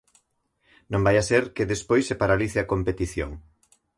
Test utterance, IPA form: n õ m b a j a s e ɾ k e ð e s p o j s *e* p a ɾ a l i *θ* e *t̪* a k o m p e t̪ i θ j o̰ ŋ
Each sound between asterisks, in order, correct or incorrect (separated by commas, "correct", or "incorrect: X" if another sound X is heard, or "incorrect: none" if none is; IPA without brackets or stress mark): correct, correct, incorrect: none